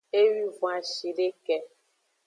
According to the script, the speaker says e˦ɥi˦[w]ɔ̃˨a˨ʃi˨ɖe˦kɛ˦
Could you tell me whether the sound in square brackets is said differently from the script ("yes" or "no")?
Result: yes